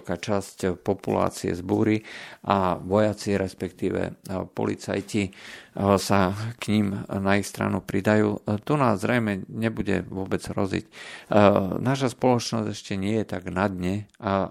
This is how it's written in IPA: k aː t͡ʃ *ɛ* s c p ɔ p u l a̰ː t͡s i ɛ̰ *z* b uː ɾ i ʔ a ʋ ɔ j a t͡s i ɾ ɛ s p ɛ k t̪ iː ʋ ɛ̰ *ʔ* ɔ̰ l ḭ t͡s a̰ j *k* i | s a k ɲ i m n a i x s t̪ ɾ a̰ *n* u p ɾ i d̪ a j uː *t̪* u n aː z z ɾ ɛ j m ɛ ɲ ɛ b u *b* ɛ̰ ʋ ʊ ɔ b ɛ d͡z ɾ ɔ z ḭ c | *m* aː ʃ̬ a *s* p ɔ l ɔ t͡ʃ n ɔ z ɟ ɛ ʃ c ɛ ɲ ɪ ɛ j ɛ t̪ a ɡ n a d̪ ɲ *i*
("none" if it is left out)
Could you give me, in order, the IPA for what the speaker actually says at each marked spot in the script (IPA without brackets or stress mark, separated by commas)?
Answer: a, z, p, c, n, t̪, ɟ, n, s, ɛ